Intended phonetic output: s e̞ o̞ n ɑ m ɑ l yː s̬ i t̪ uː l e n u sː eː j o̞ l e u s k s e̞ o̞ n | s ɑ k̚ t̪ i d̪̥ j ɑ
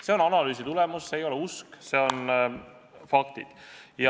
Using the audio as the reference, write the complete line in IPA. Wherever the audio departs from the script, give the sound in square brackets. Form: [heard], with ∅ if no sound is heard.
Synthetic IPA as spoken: s e̞ o̞ n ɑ [n] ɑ l yː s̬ i t̪ [u] l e [m] u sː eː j o̞ l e u s k s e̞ o̞ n | [f] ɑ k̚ t̪ i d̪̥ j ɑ